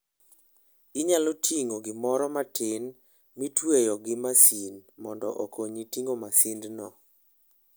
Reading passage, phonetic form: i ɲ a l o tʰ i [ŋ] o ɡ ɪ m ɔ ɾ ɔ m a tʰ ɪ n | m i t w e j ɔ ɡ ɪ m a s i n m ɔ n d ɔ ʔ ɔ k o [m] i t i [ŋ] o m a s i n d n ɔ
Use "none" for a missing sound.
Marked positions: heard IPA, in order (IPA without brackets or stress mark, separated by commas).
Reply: ŋ, ɲ, ŋ